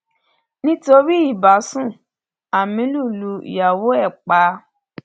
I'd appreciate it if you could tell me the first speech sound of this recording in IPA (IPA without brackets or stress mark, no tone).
n